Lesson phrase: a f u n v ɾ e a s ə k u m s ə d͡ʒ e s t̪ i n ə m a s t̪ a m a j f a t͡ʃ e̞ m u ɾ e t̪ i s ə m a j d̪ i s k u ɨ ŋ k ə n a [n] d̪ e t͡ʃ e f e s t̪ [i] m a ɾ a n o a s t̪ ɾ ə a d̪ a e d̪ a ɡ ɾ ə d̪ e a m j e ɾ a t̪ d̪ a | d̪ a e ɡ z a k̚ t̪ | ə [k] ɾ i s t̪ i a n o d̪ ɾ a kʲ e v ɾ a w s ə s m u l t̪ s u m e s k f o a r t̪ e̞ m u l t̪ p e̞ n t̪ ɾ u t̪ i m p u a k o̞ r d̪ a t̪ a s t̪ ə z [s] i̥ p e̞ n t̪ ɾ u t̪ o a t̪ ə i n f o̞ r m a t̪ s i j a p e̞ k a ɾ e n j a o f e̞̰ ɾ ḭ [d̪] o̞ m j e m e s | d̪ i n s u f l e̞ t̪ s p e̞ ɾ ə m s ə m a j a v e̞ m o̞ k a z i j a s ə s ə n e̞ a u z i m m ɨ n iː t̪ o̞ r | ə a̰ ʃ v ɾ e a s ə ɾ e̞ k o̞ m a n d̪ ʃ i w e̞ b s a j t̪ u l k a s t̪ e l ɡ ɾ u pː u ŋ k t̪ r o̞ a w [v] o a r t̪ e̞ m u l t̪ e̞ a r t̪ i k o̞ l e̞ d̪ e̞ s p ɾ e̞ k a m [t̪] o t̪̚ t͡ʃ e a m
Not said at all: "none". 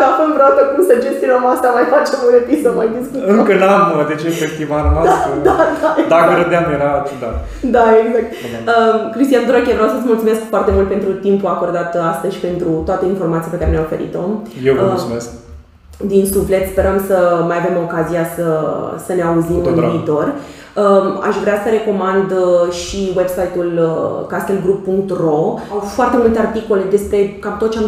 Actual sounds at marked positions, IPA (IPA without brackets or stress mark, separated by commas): m, i, k, ʃ, t̪, f, t̪